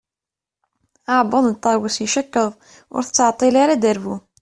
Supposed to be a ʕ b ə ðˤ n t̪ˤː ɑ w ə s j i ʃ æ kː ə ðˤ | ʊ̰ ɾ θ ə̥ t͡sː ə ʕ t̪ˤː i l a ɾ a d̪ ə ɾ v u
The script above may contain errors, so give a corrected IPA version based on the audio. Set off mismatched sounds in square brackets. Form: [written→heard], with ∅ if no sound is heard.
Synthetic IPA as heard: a ʕ b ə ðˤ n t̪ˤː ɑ w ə s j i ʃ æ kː ə ðˤ | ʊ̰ ɾ θ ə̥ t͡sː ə ʕ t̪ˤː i l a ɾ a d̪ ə ɾ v u